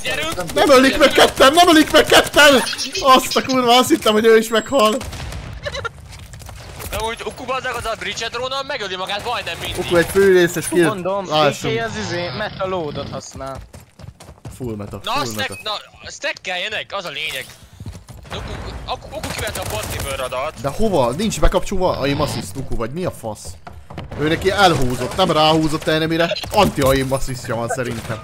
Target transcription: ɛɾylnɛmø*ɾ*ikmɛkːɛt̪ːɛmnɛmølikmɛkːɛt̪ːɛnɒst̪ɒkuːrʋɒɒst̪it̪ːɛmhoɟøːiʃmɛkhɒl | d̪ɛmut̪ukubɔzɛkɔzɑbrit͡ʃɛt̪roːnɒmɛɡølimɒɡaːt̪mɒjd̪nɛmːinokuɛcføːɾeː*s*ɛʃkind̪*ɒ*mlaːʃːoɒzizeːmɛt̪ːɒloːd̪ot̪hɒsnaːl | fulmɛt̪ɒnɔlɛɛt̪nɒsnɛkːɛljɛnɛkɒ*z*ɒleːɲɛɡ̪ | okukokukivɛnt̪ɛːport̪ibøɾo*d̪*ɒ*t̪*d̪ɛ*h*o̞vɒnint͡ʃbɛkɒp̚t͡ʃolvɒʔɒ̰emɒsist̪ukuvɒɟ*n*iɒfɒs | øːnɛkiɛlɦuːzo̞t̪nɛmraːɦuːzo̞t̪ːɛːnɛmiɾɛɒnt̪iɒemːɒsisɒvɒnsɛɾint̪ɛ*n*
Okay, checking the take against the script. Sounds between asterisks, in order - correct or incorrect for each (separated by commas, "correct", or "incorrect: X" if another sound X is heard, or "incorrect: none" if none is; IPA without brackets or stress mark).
incorrect: l, correct, incorrect: o, correct, correct, correct, correct, incorrect: m, incorrect: m